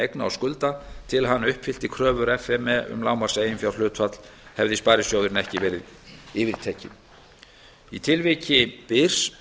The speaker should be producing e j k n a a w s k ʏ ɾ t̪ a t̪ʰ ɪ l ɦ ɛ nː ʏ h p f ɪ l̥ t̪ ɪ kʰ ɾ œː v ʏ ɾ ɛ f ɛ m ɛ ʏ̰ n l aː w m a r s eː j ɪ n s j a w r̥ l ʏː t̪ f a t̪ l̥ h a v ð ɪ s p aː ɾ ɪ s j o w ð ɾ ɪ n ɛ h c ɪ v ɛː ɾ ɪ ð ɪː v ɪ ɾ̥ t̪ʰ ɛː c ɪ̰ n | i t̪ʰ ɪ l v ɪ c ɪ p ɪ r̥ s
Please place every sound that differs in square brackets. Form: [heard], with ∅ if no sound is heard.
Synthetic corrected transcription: e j k n a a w s k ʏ [l] t̪ a t̪ʰ ɪ l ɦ [a] nː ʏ h p f ɪ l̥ t̪ ɪ kʰ ɾ œː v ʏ ɾ ɛ f ɛ m ɛ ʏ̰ [m] l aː w m a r s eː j ɪ n [f] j a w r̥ l ʏː t̪ f a t̪ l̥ h [ɛ] v ð ɪ s p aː ɾ ɪ s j o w ð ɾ ɪ n ɛ h c ɪ v ɛː ɾ ɪ ð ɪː v ɪ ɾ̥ t̪ʰ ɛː c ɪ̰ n | i t̪ʰ ɪ l v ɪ c ɪ p ɪ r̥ s

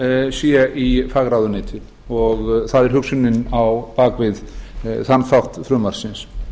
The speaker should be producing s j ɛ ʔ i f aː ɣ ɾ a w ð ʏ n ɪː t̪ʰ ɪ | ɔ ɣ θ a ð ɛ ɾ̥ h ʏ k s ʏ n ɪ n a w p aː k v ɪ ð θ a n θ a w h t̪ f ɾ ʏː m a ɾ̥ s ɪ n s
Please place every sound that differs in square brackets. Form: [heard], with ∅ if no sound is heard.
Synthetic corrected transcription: s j ɛ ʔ i f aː ɣ ɾ a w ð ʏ n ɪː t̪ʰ ɪ | ɔ ɣ θ a ð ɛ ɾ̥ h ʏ k s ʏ n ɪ n a w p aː k v ɪ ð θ a n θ a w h t̪ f ɾ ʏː m a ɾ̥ s ɪ n s

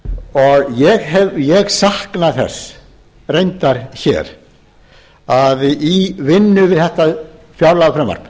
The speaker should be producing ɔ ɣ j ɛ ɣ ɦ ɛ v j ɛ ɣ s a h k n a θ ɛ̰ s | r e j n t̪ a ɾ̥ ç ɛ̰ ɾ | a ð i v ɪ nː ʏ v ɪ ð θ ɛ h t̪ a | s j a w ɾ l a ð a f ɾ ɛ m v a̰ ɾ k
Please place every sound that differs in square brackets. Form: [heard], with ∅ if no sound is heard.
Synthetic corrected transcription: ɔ ɣ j ɛ ɣ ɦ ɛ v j ɛ ɣ s a h k n a θ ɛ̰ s | r e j n t̪ a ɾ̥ ç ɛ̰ ɾ | a ð i v ɪ nː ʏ v ɪ ð θ ɛ h t̪ a | [f] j a w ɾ l a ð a f ɾ ɛ m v a̰ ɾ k

